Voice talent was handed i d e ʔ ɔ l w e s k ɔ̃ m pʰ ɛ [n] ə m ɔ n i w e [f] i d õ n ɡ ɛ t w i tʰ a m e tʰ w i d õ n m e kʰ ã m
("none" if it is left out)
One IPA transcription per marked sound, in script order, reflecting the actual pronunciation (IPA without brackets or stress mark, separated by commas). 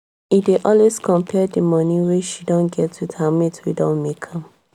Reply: d, ʃ